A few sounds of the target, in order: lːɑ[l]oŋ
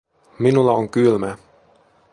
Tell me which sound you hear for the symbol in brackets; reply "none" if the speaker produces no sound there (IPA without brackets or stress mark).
none